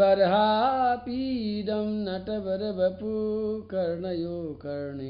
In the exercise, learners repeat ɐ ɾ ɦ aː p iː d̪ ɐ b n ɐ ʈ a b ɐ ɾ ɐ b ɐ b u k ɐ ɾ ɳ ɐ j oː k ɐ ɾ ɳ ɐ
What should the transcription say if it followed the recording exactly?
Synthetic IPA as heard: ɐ ɾ ɦ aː p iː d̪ ɐ m n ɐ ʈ ɐ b ɐ ɾ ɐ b ɐ p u k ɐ ɾ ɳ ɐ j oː k ɐ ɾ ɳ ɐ